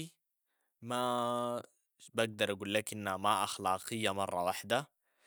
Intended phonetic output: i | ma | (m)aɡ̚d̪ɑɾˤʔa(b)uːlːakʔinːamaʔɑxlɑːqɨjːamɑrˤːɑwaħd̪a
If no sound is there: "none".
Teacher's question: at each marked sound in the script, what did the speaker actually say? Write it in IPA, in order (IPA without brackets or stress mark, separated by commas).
b, ɡ